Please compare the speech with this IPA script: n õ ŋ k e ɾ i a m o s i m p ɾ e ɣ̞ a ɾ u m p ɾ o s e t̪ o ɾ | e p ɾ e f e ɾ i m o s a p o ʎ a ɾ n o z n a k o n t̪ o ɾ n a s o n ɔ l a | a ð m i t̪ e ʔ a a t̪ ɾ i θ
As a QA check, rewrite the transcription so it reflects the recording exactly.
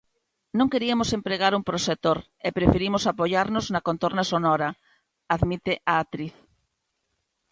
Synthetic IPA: n õ ŋ k e ɾ i a m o s e m p ɾ e ɣ̞ a ɾ u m p ɾ o s e t̪ o ɾ | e p ɾ e f e ɾ i m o s a p o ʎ a ɾ n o z n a k o n t̪ o ɾ n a s o n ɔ ɾ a | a ð m i t̪ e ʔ a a t̪ ɾ i θ